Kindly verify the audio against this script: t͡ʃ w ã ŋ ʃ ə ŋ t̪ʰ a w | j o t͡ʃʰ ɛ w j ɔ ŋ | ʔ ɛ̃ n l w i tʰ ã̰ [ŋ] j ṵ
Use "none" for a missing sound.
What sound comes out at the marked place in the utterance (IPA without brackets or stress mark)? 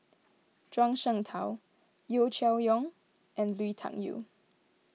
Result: ŋ